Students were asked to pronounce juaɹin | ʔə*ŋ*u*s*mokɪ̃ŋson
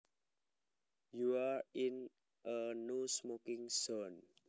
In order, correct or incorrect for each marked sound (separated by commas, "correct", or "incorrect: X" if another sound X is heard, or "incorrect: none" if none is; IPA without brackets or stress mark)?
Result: incorrect: n, correct